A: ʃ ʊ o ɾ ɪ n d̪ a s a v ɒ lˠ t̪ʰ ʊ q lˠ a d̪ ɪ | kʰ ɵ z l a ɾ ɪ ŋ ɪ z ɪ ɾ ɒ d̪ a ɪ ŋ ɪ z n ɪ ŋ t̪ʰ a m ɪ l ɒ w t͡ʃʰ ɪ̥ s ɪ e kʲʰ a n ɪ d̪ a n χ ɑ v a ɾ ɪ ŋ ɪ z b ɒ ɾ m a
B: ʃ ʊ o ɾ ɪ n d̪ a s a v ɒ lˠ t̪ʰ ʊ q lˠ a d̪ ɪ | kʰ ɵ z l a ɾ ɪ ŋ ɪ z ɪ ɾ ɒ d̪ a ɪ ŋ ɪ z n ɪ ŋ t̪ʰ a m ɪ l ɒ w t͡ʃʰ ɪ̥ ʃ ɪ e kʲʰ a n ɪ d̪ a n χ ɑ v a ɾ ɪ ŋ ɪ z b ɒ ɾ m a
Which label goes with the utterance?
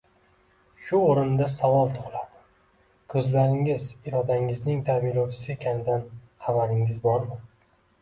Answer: A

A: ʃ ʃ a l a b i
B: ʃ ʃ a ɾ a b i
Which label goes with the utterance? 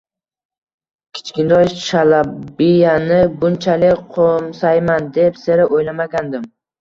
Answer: A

